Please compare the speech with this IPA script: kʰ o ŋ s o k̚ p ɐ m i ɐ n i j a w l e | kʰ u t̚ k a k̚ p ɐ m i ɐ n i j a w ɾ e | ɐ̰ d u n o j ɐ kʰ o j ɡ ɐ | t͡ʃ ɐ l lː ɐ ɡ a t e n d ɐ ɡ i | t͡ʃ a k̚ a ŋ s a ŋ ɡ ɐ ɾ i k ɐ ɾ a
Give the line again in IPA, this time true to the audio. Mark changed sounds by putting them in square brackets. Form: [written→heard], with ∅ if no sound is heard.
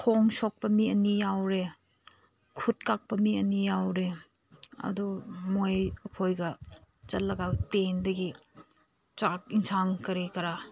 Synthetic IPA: kʰ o ŋ s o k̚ p ɐ m i ɐ n i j a w [l→ɾ] e | kʰ u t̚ k a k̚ p ɐ m i ɐ n i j a w ɾ e | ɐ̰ d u [n→m] o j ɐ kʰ o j ɡ ɐ | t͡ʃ ɐ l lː ɐ ɡ a t e n d ɐ ɡ i | t͡ʃ a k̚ [a→i] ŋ s a ŋ [ɡ→k] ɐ ɾ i k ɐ ɾ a